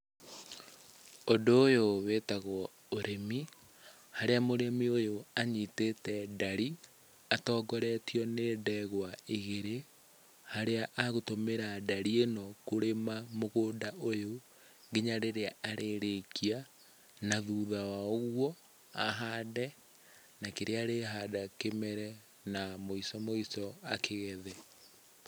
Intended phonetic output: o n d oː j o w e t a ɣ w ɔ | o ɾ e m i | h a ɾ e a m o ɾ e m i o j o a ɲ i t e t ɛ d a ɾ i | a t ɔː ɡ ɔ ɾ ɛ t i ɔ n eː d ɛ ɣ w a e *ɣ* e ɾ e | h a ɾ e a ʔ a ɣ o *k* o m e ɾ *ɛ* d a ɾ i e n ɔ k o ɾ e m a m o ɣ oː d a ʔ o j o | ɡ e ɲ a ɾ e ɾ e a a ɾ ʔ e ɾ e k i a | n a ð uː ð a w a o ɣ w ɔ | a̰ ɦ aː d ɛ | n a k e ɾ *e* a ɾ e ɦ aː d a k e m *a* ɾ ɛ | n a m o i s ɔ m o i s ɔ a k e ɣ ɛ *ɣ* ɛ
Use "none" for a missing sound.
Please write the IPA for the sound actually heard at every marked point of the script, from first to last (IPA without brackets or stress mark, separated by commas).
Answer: ɣ, t, a, e, ɛ, ð